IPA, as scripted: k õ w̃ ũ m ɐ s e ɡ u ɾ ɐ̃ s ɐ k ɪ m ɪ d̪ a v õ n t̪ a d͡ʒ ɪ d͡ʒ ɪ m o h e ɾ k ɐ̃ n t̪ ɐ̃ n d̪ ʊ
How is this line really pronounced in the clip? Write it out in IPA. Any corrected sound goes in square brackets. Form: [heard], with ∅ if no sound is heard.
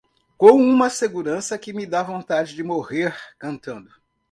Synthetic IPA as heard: k õ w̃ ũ m ɐ s e ɡ u ɾ ɐ̃ s ɐ k ɪ m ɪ d̪ a v õ n t̪ a d͡ʒ ɪ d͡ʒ ɪ m o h e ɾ k ɐ̃ n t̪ ɐ̃ n d̪ ʊ